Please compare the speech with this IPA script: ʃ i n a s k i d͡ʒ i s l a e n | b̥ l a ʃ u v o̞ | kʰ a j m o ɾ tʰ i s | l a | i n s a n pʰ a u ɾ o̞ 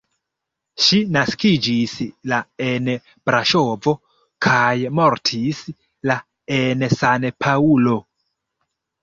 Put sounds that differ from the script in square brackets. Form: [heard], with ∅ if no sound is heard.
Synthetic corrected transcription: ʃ i n a s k i d͡ʒ i s l a e n | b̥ [ɾ] a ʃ [o] v o̞ | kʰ a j m o ɾ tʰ i s | l a | [e] n s a n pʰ a u [l] o̞